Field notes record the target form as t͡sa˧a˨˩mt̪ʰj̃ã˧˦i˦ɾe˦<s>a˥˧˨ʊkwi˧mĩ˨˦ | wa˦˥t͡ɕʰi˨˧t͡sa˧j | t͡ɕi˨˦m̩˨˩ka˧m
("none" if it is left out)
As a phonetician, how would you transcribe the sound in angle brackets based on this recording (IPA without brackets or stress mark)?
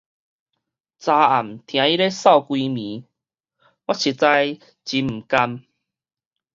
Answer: s